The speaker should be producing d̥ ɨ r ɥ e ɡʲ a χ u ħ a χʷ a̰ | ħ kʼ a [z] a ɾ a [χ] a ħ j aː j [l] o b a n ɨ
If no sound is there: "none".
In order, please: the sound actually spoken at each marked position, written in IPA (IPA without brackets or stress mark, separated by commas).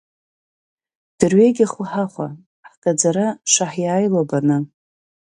d͡z, ʂ, l